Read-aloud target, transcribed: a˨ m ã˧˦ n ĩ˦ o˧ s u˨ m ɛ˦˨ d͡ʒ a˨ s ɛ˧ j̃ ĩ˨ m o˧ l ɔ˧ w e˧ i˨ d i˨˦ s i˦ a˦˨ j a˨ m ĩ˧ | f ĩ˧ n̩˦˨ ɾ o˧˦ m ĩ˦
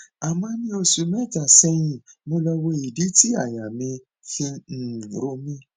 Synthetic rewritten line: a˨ m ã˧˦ n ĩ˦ o˧ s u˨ m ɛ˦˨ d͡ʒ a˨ s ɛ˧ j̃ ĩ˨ m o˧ l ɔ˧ w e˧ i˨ d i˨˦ t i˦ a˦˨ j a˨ m ĩ˧ | f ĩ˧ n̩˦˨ ɾ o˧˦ m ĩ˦